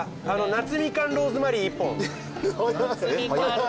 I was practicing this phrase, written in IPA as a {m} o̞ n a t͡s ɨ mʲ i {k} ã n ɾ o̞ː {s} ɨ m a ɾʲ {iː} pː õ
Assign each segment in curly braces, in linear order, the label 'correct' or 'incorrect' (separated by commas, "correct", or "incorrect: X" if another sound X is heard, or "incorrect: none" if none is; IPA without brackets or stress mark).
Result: incorrect: n, correct, incorrect: z, correct